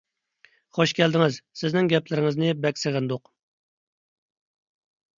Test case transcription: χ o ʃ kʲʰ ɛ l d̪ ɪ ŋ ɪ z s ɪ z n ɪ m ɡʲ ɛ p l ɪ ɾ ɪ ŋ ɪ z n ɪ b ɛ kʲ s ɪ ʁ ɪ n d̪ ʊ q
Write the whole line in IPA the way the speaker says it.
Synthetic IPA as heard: χ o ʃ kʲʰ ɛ l d̪ ɪ ŋ ɪ z s ɪ z n ɪ ŋ ɡʲ ɛ p l ɪ ɾ ɪ ŋ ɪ z n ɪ b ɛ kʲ s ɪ ʁ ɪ n d̪ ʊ q